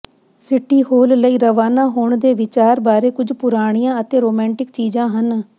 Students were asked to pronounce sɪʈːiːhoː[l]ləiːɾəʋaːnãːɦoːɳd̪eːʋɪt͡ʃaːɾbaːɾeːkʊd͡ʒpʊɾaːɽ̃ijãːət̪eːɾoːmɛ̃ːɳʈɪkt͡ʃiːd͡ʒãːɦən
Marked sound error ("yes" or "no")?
no